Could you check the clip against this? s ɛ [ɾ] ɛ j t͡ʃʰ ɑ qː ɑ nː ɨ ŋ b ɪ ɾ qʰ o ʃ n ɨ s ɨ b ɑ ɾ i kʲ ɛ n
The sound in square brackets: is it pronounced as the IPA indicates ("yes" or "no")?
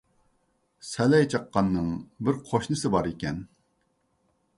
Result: no